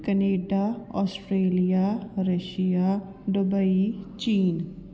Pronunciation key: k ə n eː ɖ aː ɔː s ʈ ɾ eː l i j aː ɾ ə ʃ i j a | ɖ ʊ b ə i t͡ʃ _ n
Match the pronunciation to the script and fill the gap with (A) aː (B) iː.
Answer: B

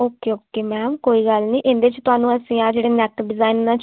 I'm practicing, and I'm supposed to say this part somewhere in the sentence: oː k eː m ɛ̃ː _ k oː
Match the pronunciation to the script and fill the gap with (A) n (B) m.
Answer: B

